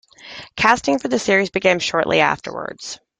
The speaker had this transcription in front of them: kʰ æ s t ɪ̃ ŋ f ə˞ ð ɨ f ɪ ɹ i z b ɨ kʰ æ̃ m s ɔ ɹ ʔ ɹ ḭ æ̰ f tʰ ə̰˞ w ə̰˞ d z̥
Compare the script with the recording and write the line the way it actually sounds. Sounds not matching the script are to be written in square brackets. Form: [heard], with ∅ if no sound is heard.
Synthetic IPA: kʰ æ s t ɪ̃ ŋ f ə˞ ð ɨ [s] ɪ ɹ i z b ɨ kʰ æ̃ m [ʃ] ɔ ɹ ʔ [l] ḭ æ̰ f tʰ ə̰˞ w ə̰˞ d z̥